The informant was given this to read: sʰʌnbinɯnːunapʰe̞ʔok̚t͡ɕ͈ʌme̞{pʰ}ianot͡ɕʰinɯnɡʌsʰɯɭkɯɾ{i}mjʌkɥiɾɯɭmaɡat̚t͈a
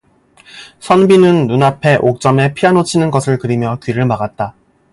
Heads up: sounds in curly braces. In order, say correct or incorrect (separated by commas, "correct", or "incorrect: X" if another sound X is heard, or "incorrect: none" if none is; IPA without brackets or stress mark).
correct, correct